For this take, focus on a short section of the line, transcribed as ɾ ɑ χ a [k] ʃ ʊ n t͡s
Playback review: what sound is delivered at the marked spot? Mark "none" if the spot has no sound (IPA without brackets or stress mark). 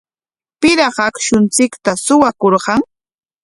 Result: k